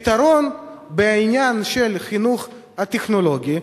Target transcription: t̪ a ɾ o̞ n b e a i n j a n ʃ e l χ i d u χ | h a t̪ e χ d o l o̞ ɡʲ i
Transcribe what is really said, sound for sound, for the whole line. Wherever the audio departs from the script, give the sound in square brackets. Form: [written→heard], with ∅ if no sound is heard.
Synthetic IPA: t̪ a ɾ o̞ n b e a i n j a n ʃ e l χ i [d→n] u χ | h a t̪ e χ [d→n] o l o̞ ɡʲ i